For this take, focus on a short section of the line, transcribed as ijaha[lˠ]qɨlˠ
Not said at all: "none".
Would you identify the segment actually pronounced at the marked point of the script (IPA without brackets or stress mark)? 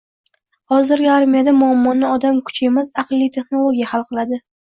lˠ